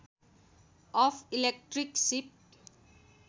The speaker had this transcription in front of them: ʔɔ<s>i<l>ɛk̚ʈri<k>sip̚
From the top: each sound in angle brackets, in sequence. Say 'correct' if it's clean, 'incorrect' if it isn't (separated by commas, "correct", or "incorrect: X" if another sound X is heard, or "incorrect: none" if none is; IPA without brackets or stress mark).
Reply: incorrect: f, correct, correct